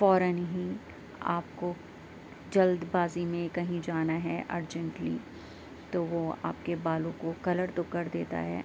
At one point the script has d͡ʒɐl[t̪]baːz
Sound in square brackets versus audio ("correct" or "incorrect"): incorrect